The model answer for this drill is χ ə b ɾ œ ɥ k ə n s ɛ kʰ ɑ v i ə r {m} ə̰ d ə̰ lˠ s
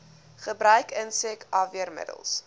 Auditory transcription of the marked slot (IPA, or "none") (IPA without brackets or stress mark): m